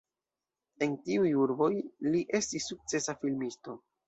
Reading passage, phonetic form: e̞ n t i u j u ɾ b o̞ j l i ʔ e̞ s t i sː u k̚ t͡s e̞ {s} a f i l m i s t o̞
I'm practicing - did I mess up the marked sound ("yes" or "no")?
no